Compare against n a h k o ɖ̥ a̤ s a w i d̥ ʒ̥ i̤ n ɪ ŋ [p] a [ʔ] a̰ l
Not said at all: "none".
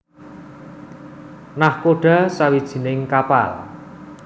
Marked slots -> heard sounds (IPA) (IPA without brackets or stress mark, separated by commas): k, p